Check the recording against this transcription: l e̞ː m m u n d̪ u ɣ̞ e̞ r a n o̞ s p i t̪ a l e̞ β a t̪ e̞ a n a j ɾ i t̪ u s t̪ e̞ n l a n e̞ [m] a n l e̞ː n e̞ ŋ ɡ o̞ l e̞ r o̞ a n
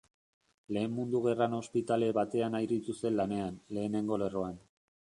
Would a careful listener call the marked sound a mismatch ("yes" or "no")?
yes